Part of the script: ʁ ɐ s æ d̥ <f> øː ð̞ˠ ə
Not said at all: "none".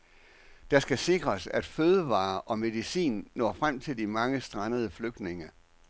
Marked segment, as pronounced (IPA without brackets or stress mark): f